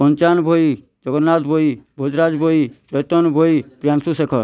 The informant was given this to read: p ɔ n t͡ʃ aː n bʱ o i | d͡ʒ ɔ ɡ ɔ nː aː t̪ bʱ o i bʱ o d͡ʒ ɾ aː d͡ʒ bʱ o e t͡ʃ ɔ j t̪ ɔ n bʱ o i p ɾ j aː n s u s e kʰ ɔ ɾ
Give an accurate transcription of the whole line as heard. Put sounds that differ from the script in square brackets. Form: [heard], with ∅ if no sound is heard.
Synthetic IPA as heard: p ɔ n t͡ʃ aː n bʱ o i | d͡ʒ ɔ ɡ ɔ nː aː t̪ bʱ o i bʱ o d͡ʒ ɾ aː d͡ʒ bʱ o [i] t͡ʃ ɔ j t̪ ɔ n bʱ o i p ɾ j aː n s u s e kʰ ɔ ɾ